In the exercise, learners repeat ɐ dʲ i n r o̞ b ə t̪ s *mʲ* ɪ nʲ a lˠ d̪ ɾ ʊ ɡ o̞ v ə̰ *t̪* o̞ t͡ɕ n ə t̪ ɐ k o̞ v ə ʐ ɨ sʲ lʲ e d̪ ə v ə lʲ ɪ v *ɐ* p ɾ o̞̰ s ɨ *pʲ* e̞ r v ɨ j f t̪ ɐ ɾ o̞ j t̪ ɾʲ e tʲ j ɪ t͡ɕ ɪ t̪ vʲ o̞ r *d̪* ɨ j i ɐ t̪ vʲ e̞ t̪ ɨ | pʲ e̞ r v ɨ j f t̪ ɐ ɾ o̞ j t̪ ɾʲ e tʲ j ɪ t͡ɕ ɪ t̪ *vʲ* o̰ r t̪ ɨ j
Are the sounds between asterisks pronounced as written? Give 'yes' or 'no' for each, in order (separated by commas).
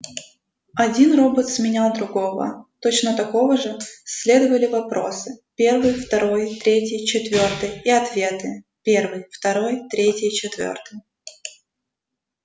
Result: yes, yes, yes, yes, no, yes